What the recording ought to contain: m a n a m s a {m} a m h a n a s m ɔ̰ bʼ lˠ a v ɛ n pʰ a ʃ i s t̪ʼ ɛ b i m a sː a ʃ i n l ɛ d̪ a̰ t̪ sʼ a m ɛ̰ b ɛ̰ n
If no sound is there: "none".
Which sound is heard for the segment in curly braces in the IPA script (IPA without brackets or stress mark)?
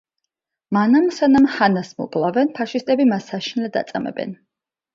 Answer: n